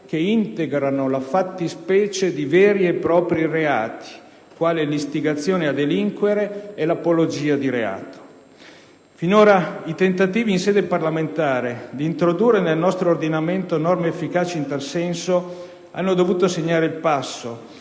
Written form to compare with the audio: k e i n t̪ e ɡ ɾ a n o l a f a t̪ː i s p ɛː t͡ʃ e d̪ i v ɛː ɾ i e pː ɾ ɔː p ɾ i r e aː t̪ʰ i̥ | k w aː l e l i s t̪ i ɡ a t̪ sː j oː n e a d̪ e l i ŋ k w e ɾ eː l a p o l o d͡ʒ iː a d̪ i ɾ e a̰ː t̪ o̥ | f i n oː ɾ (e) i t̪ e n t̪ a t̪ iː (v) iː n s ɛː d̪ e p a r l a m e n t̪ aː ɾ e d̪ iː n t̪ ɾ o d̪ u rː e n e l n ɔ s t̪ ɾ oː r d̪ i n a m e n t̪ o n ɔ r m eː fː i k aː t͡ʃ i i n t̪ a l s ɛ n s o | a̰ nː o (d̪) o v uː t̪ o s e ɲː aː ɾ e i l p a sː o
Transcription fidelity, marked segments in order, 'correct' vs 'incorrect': incorrect: a, correct, correct

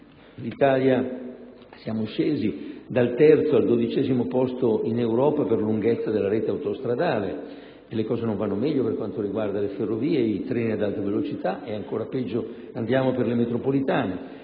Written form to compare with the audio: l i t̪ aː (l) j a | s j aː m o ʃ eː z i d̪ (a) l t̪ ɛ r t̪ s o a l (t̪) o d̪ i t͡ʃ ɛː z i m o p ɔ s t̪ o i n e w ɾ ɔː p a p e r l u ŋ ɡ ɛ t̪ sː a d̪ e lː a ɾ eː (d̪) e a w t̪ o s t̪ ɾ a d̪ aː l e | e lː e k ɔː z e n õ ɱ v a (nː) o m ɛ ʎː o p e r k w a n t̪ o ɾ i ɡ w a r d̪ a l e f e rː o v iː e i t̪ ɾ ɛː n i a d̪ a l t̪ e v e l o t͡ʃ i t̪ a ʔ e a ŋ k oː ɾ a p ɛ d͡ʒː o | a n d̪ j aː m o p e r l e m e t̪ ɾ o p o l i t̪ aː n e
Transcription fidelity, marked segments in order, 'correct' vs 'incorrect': correct, correct, incorrect: d̪, incorrect: t̪, correct

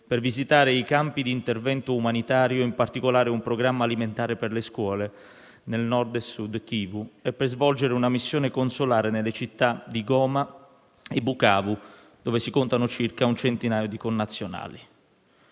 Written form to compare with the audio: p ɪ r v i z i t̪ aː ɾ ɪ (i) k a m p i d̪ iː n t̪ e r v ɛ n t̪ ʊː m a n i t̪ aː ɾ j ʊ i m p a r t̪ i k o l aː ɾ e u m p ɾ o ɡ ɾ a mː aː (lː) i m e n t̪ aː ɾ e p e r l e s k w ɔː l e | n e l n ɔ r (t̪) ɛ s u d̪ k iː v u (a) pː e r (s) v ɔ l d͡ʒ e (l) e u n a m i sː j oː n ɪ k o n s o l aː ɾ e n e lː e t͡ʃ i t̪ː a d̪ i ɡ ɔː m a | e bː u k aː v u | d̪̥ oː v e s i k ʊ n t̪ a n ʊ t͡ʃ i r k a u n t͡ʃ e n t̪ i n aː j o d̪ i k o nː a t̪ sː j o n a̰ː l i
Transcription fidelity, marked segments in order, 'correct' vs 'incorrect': correct, incorrect: l, incorrect: d̪, incorrect: ɛ, incorrect: z, incorrect: ɾ

